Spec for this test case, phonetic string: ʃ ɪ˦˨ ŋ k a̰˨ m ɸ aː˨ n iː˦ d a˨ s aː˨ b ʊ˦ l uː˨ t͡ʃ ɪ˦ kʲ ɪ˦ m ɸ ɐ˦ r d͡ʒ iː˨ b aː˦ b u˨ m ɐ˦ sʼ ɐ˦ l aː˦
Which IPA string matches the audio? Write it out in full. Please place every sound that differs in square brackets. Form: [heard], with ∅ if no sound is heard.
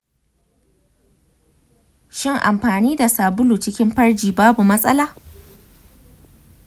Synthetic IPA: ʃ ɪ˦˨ ŋ [ʔ] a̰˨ m ɸ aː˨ n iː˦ d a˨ s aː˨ b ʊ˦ l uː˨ t͡ʃ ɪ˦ kʲ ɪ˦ m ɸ ɐ˦ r d͡ʒ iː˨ b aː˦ b u˨ m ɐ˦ sʼ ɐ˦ l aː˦